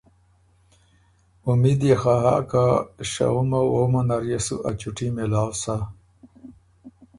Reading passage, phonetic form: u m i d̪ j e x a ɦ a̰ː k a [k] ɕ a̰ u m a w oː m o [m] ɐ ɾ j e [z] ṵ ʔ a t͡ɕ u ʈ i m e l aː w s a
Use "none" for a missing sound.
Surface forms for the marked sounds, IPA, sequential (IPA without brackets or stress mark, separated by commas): none, n, s